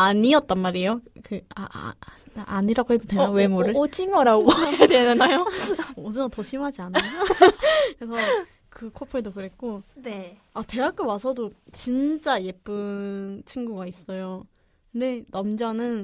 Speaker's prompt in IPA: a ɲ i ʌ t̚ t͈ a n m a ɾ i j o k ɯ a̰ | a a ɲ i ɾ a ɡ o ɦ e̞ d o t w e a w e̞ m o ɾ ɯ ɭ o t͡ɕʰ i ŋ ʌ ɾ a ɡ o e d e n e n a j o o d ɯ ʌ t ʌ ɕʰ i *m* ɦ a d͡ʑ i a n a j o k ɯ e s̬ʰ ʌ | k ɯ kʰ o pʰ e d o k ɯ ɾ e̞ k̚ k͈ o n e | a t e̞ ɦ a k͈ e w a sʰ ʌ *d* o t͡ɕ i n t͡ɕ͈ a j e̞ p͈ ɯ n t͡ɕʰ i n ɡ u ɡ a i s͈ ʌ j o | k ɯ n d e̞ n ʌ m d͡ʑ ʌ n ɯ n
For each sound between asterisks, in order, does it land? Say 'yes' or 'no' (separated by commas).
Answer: yes, yes